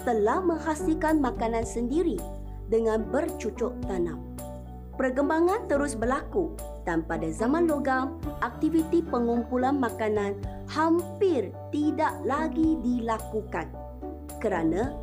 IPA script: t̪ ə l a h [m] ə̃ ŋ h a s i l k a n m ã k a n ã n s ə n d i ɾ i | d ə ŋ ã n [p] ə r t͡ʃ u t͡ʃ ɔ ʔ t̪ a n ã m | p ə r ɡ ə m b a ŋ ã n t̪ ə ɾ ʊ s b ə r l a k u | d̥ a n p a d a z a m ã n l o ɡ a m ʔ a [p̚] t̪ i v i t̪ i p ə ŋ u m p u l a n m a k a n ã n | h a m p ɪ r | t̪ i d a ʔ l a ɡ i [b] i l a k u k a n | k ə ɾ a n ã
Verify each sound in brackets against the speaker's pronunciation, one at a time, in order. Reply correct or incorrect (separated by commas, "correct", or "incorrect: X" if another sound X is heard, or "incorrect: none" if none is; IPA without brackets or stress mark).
correct, incorrect: b, incorrect: k̚, incorrect: d